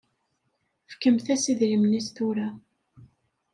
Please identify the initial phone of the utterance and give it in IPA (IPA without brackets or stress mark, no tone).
f